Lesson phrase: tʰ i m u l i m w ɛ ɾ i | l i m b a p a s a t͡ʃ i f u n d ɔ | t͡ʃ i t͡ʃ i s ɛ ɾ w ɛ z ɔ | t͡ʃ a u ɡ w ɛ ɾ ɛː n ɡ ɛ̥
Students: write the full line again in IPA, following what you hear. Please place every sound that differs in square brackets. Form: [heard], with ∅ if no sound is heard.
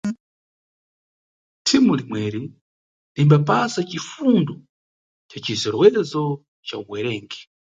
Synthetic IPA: tʰ i m u l i m w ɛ ɾ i | l i m b a p a s a t͡ʃ i f u n d ɔ | t͡ʃ [a] t͡ʃ i [z] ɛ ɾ w ɛ z ɔ | t͡ʃ a u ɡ w ɛ ɾ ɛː [ŋ] ɡ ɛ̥

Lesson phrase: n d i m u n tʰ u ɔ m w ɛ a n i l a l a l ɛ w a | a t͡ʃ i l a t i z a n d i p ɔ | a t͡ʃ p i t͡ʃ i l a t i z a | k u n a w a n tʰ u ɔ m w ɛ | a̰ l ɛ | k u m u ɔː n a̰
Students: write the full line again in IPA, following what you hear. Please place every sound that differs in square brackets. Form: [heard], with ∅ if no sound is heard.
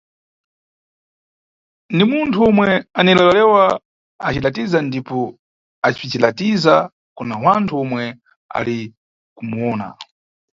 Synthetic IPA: n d i m u n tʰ u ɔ m w ɛ a n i l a l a l ɛ w a | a t͡ʃ i l a t i z a n d i p ɔ | a t͡ʃ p i t͡ʃ i l a t i z a | k u n a w a n tʰ u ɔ m w ɛ | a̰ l [i] | k u m u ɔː n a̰

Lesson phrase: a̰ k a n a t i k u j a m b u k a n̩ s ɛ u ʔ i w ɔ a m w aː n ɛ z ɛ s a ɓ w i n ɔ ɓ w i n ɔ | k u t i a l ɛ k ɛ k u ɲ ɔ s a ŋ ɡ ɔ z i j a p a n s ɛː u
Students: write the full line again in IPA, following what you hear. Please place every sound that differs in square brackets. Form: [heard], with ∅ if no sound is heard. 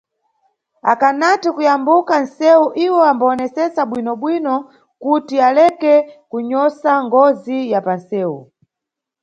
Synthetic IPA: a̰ k a n a t i k u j a m b u k a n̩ s ɛ u ʔ i w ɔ a m [b] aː n ɛ [s] ɛ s a ɓ w i n ɔ ɓ w i n ɔ | k u t i a l ɛ k ɛ k u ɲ ɔ s a ŋ ɡ ɔ z i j a p a n s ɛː u

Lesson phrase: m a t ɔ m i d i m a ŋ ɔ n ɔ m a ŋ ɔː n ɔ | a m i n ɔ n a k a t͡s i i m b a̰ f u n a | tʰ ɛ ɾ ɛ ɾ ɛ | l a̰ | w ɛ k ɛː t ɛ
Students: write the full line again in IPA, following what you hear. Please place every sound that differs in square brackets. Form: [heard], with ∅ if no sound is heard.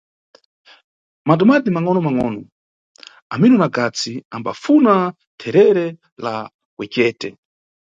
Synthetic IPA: m a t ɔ m [a] d i m a ŋ ɔ n ɔ m a ŋ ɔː n ɔ | a m i n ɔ n a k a t͡s i [a] m b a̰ f u n a | tʰ ɛ ɾ ɛ ɾ ɛ | l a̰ | w ɛ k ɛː t ɛ

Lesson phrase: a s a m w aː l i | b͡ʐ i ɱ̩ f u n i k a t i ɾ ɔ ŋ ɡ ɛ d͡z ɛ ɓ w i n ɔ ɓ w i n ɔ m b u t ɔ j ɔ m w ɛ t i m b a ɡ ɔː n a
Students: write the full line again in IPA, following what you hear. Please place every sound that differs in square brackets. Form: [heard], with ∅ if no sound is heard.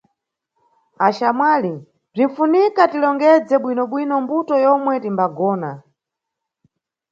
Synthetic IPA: a [ʃ] a m w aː l i | b͡ʐ i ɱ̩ f u n i k a t i [l] ɔ ŋ ɡ ɛ d͡z ɛ ɓ w i n ɔ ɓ w i n ɔ m b u t ɔ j ɔ m w ɛ t i m b a ɡ ɔː n a

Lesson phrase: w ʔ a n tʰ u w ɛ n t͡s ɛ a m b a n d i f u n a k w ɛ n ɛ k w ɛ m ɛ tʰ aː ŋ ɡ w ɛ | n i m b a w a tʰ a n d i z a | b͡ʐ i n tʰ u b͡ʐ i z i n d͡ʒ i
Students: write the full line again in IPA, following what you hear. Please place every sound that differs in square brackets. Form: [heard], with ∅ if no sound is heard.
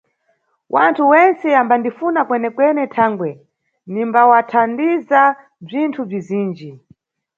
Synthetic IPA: w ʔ a n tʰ u w ɛ n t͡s ɛ a m b a n d i f u n a k w ɛ n ɛ k w ɛ [n] ɛ tʰ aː ŋ ɡ w ɛ | n i m b a w a tʰ a n d i z a | b͡ʐ i n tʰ u b͡ʐ i z [iː] n d͡ʒ i

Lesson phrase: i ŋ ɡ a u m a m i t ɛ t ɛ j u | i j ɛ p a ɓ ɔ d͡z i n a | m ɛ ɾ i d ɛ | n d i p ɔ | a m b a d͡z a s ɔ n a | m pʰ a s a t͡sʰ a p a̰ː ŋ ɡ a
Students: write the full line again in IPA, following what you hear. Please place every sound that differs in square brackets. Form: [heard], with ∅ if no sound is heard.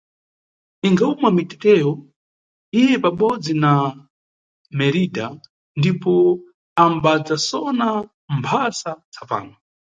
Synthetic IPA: i ŋ ɡ a u m a m i t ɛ t ɛ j [ɔ] | i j ɛ p a ɓ ɔ d͡z i n a | m ɛ ɾ i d [a] | n d i p ɔ | a m b a d͡z a s ɔ n a | m pʰ a s a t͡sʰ a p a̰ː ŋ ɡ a

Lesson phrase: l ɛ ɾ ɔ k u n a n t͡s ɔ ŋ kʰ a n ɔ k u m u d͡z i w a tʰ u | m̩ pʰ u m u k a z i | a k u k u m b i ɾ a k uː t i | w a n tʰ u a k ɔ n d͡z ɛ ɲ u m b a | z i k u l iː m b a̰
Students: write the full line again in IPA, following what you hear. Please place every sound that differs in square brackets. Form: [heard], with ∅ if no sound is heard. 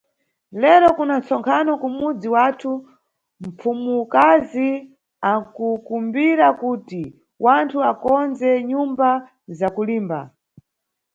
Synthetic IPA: l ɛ ɾ ɔ k u n a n t͡s ɔ ŋ kʰ a n ɔ k u m u d͡z i w a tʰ u | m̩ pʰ u m u k a z i | a k u k u m b i ɾ a k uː t i | w a n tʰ u a k ɔ n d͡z ɛ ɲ u m b a | z [a] k u l iː m b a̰

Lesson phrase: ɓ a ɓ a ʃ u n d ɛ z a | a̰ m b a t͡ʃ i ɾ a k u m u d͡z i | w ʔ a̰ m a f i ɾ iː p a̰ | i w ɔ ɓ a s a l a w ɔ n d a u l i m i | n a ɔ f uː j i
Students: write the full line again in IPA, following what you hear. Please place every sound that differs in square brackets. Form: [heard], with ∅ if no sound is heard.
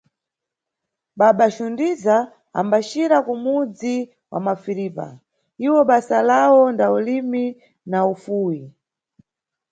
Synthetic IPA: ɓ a ɓ a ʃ u n d [i] z a | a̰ m b a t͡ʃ i ɾ a k u m u d͡z i | w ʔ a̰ m a f i ɾ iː p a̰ | i w ɔ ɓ a s a l a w ɔ n d a u l i m i | n a [u] f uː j i

